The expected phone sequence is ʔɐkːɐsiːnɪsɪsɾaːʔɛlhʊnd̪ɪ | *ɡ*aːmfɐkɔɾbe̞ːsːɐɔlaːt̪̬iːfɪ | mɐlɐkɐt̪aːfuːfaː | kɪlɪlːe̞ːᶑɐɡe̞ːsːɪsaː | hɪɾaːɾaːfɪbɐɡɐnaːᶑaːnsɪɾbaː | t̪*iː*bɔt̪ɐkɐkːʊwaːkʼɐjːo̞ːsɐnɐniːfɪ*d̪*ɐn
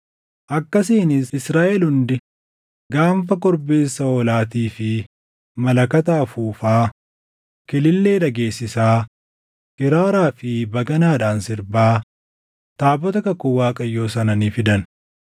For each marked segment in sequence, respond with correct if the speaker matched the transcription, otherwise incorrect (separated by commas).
correct, incorrect, correct